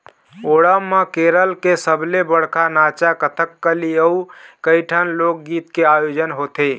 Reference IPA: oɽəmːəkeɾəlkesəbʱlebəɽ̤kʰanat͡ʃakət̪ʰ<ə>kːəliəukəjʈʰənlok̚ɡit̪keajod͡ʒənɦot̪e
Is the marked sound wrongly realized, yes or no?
no